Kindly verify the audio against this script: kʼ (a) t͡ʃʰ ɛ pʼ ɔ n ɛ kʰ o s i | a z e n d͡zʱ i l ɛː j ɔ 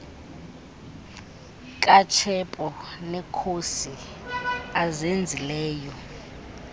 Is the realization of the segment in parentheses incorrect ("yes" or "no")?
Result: no